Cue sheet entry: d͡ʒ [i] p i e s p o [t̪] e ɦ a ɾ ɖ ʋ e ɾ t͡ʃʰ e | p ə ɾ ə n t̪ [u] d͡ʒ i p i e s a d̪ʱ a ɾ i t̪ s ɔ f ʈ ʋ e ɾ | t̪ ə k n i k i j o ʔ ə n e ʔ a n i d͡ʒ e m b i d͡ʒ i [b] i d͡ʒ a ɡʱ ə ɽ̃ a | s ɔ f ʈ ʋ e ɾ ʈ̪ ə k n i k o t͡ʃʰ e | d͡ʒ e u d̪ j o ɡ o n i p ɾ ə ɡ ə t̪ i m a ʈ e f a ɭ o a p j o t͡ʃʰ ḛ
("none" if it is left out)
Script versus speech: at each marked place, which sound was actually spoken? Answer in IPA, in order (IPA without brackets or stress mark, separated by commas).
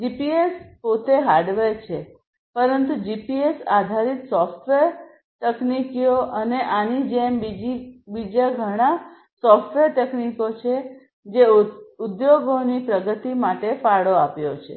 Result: i, t̪, u, b